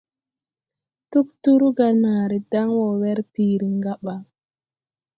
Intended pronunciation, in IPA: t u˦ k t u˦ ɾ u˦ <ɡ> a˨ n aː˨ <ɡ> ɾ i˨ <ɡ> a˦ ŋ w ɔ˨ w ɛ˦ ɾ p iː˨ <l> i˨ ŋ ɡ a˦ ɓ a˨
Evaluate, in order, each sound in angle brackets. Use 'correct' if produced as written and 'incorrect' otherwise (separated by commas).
correct, incorrect, incorrect, incorrect